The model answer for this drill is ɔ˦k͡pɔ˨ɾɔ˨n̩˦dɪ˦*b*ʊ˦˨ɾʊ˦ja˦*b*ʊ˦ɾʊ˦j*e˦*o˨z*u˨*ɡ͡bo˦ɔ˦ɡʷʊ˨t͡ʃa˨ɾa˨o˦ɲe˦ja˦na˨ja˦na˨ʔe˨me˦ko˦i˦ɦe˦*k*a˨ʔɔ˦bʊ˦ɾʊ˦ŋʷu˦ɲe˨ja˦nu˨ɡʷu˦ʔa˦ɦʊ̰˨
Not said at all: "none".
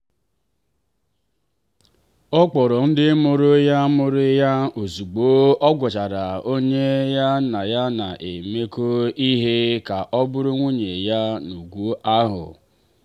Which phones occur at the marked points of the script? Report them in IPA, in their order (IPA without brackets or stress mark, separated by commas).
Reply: m, m, a˦, u˨, k